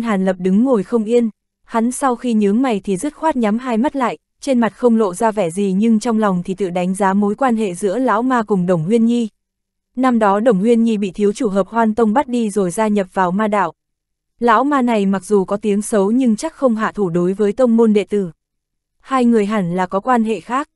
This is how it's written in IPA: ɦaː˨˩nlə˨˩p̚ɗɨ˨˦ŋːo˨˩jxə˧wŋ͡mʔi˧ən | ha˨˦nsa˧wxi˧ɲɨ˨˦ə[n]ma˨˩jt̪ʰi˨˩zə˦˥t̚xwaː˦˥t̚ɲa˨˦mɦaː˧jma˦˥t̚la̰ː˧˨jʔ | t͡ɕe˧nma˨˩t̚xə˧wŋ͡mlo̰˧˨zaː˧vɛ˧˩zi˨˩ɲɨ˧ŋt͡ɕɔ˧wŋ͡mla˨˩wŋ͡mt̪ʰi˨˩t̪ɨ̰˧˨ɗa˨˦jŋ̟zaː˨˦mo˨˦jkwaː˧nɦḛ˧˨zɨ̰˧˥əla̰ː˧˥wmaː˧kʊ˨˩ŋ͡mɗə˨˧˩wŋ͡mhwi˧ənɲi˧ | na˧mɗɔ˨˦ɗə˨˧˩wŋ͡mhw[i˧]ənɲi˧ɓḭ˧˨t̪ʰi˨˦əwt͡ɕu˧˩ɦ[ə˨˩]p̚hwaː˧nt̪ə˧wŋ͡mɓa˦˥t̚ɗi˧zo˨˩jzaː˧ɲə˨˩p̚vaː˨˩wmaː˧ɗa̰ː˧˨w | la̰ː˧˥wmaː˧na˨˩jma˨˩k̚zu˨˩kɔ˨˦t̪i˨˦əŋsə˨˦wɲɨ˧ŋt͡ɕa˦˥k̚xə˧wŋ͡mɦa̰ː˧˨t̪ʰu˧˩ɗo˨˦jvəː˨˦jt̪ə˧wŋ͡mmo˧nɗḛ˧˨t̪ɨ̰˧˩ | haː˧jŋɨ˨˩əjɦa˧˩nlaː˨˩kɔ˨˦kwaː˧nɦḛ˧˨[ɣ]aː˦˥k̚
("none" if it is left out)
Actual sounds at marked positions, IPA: ŋ, i˧, əː˨˩, x

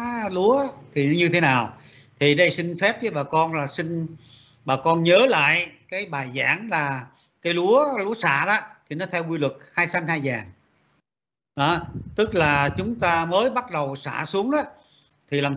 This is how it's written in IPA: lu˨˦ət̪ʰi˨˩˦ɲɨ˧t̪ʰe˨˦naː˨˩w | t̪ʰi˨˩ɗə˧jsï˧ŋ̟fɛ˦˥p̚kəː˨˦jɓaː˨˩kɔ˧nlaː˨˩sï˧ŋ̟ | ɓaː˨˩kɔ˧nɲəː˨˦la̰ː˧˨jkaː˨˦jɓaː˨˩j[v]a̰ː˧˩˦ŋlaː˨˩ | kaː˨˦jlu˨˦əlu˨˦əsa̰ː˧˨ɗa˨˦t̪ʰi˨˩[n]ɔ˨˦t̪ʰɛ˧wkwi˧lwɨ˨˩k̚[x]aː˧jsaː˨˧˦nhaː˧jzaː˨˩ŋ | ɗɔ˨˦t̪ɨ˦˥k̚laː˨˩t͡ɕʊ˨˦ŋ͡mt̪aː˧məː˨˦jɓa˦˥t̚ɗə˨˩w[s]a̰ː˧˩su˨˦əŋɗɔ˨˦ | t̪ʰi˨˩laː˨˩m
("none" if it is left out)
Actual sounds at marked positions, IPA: z, n, h, s

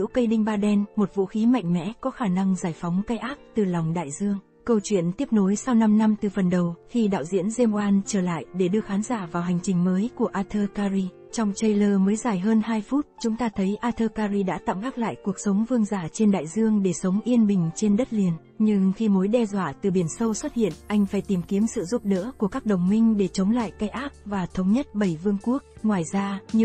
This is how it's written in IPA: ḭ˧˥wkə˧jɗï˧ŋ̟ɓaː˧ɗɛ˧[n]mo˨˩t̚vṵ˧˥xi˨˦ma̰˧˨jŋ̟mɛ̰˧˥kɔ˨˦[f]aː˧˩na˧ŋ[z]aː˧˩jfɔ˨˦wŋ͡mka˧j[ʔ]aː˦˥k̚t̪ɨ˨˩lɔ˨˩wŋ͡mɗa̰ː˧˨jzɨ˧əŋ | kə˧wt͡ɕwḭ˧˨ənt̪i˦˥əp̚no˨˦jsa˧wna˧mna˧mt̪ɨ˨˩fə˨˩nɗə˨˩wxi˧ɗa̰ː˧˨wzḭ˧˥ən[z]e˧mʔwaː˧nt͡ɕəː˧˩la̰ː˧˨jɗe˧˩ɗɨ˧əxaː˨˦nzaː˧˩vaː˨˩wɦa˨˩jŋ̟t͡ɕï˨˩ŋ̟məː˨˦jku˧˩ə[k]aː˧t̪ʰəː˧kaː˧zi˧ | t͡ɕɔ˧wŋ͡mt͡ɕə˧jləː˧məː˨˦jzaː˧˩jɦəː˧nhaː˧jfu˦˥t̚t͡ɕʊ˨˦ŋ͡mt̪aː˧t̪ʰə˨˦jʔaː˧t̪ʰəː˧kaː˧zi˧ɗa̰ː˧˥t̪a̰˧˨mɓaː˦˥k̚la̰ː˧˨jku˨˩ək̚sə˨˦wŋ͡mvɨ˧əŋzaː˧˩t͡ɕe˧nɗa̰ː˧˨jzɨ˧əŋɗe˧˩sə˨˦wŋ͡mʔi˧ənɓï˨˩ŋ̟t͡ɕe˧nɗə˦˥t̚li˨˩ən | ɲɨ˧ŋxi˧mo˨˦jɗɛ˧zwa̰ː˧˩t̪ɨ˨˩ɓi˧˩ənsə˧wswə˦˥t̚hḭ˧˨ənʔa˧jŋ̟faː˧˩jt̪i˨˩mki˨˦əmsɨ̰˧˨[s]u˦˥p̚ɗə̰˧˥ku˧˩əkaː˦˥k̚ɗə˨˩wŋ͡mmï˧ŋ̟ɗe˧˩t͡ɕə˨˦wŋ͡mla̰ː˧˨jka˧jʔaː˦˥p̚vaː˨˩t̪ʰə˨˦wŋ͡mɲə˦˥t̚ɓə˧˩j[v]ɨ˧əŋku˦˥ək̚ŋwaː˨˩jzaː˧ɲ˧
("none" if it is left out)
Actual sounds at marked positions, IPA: n, x, z, ʔ, z, ʔ, z, v

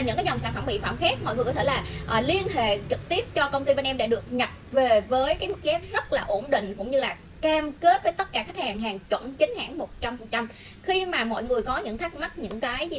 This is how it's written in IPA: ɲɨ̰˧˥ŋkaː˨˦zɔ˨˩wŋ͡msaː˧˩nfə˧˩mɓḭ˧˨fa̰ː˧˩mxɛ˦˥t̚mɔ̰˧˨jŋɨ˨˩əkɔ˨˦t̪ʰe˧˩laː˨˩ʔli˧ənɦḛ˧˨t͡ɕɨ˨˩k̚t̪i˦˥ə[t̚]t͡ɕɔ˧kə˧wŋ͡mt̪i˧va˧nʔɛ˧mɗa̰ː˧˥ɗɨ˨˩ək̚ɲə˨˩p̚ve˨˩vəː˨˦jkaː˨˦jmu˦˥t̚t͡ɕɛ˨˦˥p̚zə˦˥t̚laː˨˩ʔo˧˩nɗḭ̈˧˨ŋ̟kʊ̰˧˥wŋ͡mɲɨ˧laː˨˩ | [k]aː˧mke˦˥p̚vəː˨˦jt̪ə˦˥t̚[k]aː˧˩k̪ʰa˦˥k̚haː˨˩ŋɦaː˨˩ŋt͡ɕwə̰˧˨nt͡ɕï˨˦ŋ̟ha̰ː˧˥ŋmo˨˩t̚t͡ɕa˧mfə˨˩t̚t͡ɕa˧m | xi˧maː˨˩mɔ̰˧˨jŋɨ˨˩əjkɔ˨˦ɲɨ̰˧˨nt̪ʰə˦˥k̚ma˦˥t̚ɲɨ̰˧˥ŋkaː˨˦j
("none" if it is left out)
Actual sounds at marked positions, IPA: p̚, k, k

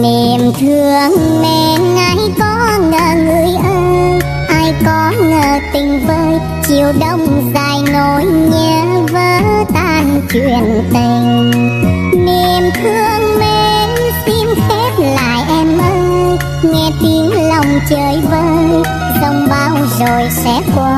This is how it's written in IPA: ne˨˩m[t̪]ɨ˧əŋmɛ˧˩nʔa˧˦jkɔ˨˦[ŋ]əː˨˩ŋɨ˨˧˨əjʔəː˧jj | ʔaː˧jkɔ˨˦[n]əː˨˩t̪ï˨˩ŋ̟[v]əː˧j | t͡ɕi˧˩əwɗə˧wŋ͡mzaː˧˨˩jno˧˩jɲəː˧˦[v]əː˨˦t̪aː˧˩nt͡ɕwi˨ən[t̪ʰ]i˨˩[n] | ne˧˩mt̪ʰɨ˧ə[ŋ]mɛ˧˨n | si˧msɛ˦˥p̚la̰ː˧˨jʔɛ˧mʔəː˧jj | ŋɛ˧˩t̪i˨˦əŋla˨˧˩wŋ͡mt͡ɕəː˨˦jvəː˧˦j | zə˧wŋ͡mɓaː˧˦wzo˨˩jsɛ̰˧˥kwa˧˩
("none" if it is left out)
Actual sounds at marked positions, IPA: t̪ʰ, ŋ, ŋ, v, v, t̪, ŋ, ŋ

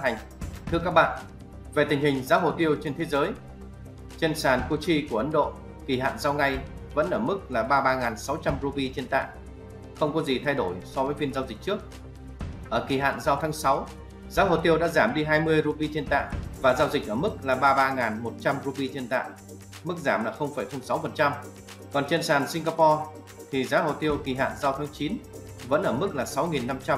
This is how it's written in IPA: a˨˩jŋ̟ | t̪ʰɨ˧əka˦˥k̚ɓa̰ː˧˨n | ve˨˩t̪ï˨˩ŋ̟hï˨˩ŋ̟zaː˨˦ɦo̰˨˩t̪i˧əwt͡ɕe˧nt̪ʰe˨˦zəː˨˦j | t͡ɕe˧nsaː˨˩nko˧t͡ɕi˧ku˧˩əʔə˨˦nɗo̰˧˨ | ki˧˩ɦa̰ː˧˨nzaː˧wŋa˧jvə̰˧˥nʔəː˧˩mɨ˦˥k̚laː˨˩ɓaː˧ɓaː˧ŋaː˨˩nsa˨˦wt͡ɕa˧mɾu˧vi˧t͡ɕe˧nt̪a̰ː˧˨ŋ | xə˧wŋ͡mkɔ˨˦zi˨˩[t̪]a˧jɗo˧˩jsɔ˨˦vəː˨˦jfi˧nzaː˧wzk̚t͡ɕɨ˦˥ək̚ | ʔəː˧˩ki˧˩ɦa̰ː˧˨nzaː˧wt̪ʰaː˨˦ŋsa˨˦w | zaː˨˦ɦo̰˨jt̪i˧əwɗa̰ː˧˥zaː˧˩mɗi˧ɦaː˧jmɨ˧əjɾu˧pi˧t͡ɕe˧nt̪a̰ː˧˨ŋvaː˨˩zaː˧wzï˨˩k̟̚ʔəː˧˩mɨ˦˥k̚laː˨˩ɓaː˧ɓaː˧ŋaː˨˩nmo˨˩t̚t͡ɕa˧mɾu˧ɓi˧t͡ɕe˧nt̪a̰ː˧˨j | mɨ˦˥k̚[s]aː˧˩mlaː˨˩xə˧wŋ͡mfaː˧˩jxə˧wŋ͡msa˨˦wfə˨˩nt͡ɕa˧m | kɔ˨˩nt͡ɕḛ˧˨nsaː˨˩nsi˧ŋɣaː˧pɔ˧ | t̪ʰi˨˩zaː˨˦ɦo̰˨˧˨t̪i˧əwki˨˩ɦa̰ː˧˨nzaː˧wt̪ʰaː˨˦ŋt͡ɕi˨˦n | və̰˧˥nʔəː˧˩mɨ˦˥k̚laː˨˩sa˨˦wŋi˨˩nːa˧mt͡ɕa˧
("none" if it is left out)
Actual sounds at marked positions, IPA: t̪ʰ, z

